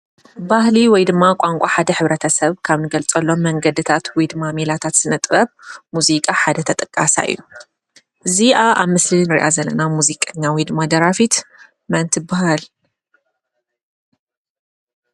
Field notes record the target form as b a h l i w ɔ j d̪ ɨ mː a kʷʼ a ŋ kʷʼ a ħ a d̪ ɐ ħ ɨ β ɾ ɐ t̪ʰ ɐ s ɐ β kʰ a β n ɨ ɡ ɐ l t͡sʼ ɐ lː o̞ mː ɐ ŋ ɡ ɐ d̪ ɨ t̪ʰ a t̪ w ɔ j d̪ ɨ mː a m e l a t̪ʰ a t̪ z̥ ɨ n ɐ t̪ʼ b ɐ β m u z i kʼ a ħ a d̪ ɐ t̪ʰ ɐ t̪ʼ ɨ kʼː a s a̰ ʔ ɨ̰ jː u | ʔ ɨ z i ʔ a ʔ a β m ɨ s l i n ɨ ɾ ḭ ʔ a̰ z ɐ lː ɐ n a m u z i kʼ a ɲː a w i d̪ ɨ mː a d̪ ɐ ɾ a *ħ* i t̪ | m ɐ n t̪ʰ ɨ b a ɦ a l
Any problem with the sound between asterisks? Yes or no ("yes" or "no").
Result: yes